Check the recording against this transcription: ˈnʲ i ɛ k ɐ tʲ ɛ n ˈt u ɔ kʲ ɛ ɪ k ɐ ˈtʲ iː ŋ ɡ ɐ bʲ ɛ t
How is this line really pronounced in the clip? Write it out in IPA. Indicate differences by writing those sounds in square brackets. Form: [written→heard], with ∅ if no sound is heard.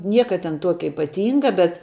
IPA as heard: ˈnʲ i ɛ k ɐ tʲ ɛ n ˈt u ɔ kʲ ɛ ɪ [k→p] ɐ ˈtʲ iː ŋ ɡ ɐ bʲ ɛ t